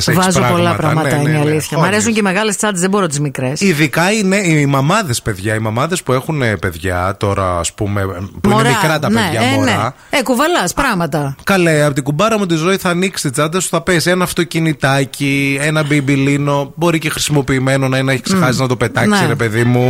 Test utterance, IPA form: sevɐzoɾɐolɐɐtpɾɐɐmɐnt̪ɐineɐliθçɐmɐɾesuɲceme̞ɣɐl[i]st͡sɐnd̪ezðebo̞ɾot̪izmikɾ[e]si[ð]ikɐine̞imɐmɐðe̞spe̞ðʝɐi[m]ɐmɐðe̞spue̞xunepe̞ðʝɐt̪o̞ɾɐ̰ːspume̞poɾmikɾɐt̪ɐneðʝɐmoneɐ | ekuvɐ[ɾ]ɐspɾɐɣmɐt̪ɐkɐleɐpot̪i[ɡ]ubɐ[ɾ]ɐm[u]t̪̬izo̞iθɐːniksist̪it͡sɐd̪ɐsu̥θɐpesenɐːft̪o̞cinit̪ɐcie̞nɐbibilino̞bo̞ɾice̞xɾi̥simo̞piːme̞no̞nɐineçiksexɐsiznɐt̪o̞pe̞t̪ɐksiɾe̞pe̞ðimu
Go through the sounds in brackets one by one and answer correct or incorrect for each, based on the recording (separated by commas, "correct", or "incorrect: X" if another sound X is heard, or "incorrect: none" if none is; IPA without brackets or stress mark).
incorrect: e, correct, correct, correct, incorrect: l, correct, correct, correct